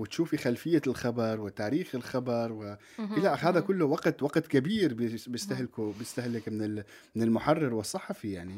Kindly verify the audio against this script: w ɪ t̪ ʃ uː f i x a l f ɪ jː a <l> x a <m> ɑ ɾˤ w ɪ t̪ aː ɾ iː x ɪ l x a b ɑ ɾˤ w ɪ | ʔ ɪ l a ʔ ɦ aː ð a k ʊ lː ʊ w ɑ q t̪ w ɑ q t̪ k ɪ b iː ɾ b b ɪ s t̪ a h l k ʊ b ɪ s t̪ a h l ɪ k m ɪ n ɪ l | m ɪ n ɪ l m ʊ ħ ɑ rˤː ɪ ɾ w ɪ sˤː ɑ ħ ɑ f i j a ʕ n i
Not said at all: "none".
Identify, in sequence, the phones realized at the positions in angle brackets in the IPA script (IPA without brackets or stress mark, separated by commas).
l, b